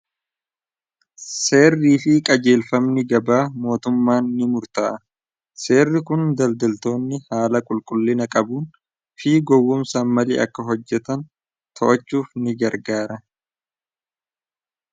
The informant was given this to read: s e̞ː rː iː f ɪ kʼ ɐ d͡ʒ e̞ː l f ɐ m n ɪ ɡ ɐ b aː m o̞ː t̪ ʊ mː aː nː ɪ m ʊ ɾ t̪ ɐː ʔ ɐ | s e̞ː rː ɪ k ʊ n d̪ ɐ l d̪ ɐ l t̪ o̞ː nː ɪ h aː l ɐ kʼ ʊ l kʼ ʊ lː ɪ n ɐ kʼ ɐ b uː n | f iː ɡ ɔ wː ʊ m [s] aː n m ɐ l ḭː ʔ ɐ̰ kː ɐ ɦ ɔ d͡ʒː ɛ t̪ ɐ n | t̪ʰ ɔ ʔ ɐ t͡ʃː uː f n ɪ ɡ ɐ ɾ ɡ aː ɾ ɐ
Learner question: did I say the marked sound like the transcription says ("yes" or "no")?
yes